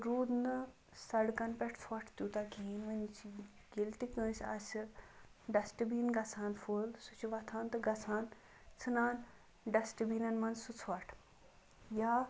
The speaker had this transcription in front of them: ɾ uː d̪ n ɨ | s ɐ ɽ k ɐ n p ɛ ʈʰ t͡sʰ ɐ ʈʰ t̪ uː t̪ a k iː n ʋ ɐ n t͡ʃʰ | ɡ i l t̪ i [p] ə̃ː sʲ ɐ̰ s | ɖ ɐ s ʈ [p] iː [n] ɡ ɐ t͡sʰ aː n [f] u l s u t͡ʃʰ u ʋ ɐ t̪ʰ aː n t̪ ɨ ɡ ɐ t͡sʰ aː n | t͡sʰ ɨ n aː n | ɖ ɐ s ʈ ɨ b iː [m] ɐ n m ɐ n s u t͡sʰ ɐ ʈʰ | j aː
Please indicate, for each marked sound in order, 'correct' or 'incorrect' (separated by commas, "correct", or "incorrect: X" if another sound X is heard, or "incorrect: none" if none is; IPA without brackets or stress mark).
incorrect: k, incorrect: b, correct, correct, incorrect: n